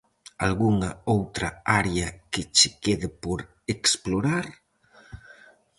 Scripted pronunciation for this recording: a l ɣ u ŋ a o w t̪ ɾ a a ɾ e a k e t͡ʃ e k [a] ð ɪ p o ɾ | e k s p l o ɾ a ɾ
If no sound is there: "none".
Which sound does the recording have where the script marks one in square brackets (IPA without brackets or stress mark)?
e